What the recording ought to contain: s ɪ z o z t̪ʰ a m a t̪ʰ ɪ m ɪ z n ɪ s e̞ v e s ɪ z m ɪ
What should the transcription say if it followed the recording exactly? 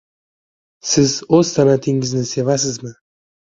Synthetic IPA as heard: s ɪ z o z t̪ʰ a n a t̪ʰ ɪ ŋ ɪ z n ɪ s e̞ v a s ɪ z m ɪ